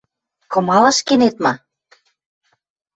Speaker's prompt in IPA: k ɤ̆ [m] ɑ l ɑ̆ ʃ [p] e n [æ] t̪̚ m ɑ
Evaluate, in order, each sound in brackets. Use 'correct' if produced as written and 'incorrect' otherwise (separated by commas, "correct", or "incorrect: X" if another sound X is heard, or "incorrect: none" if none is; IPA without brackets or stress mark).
correct, incorrect: k, incorrect: e